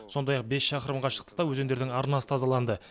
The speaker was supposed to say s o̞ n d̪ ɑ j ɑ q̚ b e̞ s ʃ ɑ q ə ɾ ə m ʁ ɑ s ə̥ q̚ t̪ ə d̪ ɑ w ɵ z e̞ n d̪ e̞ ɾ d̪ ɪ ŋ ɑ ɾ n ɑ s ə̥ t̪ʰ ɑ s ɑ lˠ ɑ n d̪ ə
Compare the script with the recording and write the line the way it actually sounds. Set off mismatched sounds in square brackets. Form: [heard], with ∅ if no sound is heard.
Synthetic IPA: s o̞ n d̪ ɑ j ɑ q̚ b e̞ s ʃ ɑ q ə ɾ ə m ʁ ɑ [ʃ] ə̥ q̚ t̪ ə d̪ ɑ w ɵ z e̞ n d̪ e̞ ɾ d̪ ɪ ŋ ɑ ɾ n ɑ s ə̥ t̪ʰ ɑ [z] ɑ lˠ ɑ n d̪ ə